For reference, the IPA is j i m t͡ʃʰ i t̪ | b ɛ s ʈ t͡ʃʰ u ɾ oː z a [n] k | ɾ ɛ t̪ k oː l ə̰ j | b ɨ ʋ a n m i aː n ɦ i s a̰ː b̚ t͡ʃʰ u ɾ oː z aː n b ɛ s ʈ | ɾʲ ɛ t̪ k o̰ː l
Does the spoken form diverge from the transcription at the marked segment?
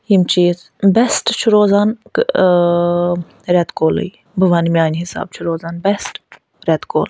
no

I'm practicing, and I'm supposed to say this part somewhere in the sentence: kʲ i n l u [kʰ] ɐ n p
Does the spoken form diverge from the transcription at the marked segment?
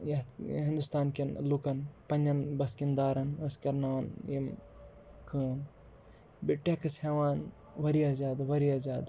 yes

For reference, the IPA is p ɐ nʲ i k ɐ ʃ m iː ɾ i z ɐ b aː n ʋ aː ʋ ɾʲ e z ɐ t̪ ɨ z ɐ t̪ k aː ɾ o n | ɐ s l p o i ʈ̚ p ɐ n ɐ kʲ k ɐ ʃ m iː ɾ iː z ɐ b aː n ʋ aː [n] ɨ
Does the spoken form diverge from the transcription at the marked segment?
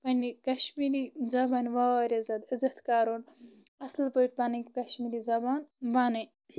no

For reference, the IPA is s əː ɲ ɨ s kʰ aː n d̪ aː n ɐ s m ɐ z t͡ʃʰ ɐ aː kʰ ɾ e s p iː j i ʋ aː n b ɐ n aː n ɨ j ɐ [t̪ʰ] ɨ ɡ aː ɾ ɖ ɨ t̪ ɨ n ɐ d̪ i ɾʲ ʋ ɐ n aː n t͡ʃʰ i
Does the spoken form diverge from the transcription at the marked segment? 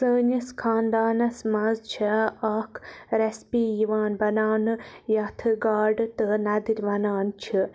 no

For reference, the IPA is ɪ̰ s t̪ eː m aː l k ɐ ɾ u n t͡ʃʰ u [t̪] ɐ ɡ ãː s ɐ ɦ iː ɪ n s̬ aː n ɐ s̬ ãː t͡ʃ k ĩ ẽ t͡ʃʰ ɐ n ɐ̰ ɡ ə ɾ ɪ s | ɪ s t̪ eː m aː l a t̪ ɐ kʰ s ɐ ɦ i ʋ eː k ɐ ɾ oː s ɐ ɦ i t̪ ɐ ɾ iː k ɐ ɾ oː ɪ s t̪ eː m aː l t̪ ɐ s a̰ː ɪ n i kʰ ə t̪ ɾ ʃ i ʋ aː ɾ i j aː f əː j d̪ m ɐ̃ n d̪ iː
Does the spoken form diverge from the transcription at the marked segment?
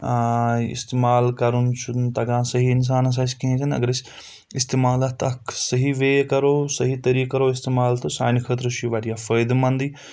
no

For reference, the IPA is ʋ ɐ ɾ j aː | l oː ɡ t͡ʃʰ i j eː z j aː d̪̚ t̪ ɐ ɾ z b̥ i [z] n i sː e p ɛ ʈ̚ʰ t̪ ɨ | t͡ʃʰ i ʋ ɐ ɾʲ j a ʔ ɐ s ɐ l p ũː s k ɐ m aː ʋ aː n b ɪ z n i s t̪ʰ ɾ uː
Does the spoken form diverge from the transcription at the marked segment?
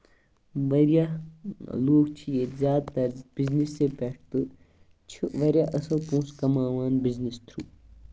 no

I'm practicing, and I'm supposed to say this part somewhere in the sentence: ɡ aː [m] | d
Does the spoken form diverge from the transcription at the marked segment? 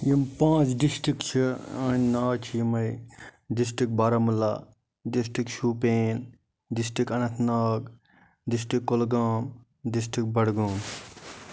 no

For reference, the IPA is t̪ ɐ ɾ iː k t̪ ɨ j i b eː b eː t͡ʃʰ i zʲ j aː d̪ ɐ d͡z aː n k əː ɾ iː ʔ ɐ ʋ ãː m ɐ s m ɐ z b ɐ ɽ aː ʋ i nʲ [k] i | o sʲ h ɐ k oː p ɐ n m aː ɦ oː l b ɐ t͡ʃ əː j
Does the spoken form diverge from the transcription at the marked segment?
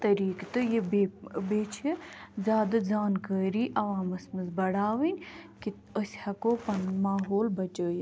no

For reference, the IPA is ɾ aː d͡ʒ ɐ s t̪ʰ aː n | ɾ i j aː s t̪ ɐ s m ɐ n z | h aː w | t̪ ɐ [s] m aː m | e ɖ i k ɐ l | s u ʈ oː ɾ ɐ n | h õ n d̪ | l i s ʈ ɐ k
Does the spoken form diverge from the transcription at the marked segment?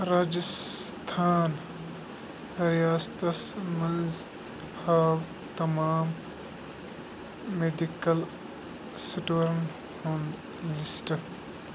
yes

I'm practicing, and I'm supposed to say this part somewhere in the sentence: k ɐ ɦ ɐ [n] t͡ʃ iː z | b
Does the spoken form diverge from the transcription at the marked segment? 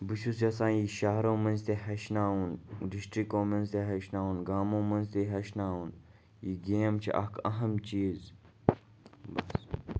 yes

